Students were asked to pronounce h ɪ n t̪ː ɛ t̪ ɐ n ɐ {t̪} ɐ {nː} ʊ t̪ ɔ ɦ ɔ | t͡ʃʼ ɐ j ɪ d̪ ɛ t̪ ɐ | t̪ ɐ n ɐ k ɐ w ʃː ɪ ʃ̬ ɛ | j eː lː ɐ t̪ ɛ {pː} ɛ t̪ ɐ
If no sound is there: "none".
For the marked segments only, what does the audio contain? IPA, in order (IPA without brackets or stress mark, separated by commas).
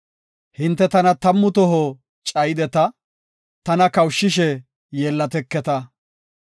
t̪, mː, kː